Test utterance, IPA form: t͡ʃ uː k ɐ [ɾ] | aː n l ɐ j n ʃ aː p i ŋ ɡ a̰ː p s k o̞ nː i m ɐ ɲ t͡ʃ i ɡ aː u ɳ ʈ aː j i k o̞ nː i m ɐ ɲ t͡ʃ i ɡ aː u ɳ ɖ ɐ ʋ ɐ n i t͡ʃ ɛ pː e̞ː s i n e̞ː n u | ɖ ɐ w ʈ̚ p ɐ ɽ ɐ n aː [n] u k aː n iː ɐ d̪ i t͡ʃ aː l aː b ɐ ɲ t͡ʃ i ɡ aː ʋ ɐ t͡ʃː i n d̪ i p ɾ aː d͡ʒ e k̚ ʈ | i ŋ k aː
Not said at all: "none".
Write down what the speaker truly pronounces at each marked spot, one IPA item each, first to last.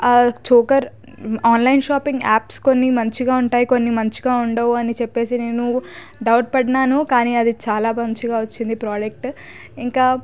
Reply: ɾ, n

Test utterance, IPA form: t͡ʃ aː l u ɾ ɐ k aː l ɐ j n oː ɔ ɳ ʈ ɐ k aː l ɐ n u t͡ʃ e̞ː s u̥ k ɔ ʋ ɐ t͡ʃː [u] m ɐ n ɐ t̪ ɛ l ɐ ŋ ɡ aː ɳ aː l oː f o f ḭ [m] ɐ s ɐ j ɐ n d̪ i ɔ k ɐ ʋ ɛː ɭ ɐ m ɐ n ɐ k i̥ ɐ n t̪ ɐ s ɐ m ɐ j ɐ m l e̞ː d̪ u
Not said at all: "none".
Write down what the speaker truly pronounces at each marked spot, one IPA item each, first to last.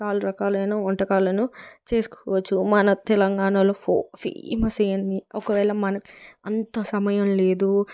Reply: u, m

